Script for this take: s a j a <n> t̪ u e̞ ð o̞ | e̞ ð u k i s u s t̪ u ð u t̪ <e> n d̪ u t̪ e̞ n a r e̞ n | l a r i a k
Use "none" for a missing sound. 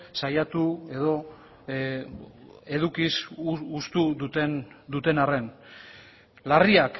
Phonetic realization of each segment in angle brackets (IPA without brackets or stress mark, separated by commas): none, e